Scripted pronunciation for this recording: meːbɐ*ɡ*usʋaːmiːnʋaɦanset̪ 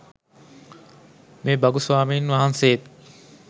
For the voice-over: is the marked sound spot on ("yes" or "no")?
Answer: yes